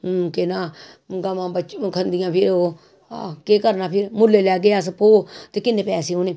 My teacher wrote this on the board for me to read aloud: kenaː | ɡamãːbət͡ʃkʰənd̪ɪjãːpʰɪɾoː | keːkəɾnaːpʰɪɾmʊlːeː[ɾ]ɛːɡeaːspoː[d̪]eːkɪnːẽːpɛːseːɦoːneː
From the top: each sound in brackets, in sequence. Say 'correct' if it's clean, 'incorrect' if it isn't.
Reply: incorrect: l, incorrect: t̪

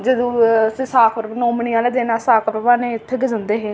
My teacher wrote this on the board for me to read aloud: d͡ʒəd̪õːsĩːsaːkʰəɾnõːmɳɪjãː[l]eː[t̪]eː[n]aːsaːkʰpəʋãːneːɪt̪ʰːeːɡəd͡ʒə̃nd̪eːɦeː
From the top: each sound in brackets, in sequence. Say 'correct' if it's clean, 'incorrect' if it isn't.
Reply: correct, incorrect: d̪, correct

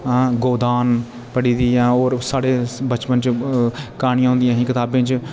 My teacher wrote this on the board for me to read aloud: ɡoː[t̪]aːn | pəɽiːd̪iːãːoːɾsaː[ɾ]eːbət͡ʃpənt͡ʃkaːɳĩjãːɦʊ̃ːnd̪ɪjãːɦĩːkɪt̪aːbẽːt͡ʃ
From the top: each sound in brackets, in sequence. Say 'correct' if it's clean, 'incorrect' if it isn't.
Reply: incorrect: d̪, incorrect: ɽ

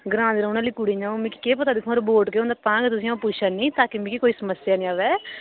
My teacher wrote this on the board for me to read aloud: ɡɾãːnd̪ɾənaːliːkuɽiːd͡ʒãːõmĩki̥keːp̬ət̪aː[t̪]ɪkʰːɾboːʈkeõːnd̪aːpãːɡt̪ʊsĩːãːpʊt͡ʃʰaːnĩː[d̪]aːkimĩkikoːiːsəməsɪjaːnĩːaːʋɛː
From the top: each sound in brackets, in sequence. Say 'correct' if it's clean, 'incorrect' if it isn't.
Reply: incorrect: d̪, incorrect: t̪

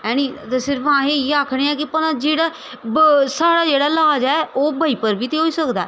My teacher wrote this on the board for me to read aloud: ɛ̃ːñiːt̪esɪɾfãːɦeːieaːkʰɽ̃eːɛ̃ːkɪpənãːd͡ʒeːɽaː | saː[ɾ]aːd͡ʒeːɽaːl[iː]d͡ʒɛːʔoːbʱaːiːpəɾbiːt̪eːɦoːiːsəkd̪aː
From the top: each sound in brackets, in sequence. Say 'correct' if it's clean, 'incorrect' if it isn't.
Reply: incorrect: ɽ, incorrect: aː

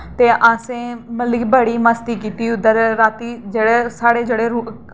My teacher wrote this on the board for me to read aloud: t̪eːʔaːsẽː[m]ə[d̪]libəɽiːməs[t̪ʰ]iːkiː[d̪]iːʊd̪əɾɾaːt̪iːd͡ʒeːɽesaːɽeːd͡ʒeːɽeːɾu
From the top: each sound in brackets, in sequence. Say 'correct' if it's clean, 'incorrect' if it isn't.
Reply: correct, incorrect: none, incorrect: t̪, incorrect: t̪

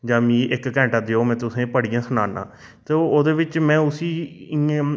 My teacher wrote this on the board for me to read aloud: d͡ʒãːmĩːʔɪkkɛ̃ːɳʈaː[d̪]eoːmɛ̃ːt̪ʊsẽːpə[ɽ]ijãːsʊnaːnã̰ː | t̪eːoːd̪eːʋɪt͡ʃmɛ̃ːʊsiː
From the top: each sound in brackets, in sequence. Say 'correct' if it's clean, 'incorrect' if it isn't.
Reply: correct, correct

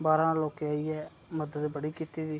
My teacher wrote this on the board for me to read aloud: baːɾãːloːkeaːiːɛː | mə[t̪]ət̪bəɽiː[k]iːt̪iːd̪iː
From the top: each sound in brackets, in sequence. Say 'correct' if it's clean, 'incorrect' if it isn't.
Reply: incorrect: d̪, correct

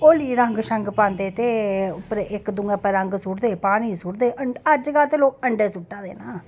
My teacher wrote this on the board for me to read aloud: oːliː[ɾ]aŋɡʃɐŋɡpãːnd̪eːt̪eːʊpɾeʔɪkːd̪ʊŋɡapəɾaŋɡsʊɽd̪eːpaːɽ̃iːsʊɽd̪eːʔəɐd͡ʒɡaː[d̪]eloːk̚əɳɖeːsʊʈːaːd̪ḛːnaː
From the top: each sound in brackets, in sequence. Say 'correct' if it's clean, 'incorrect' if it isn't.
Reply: correct, incorrect: t̪

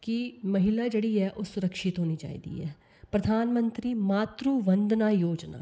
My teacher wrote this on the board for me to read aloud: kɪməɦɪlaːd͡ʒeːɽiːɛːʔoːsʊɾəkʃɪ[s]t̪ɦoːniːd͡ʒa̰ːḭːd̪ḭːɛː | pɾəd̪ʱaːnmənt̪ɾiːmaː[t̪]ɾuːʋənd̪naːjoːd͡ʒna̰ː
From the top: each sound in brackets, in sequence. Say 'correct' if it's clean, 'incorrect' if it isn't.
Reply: incorrect: none, correct

